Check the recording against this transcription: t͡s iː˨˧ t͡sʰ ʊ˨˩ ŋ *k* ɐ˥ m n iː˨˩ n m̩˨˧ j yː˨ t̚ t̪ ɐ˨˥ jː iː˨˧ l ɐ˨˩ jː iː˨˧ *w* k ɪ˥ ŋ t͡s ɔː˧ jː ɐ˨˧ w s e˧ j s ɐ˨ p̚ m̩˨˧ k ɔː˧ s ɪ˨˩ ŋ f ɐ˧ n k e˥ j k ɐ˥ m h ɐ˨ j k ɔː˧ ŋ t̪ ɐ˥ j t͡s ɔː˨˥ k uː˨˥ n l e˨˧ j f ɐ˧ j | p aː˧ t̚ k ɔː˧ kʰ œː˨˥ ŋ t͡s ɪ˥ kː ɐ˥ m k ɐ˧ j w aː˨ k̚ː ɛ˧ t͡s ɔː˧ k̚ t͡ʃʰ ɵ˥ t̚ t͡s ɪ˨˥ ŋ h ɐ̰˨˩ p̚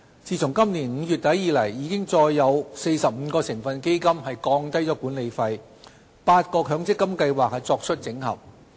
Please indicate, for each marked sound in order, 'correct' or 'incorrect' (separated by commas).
correct, incorrect